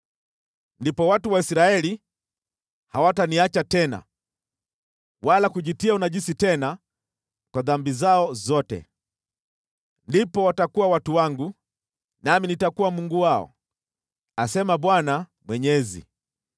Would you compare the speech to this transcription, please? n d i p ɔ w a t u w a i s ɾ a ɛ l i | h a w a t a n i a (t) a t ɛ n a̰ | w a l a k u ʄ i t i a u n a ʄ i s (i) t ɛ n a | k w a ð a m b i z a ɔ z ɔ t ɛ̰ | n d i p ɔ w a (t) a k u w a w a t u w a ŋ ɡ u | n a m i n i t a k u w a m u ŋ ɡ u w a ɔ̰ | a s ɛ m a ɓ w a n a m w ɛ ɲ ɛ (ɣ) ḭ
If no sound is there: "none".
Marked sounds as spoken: t͡ʃ, i, t, z

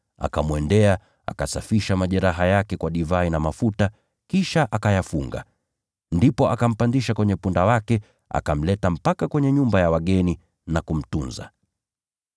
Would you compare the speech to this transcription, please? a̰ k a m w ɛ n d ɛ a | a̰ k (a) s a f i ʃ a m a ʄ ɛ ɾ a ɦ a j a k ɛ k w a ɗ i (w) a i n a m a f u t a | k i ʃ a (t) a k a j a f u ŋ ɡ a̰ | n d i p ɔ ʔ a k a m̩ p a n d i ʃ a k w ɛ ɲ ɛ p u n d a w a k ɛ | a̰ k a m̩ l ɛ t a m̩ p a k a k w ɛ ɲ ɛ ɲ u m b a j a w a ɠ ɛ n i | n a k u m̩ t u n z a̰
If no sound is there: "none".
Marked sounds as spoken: a, v, ʔ

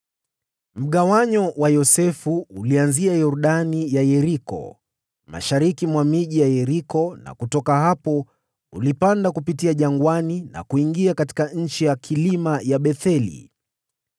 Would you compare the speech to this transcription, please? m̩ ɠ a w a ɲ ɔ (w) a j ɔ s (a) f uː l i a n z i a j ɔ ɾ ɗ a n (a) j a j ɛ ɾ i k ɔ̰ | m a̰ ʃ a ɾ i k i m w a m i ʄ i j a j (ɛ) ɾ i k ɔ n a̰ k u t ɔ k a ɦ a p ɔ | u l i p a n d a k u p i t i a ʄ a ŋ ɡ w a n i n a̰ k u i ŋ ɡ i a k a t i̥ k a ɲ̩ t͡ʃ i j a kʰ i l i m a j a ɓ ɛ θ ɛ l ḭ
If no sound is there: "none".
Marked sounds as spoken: w, ɛ, i, ɛ

